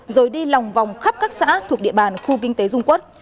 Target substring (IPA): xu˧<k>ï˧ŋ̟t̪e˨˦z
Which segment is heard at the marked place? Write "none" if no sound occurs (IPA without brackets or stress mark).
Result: k